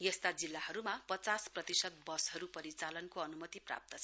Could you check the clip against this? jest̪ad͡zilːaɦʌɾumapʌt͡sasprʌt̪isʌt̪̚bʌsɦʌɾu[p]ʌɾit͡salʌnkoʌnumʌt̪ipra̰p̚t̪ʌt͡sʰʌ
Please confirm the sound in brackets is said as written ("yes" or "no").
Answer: yes